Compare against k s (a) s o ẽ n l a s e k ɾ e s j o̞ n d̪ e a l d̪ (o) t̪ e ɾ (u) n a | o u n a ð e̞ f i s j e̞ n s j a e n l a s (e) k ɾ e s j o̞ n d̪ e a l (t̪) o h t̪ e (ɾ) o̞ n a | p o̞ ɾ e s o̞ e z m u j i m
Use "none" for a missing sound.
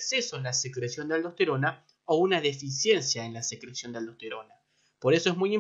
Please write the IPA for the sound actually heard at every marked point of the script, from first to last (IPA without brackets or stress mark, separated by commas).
e, o, o, e, d̪, ɾ